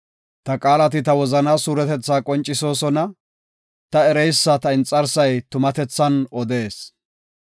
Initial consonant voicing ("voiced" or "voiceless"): voiceless